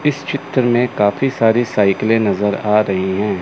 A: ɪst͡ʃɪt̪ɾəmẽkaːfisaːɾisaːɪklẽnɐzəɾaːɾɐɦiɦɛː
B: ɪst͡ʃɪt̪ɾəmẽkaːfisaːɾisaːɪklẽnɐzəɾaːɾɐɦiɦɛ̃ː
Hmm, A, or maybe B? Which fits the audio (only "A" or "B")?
B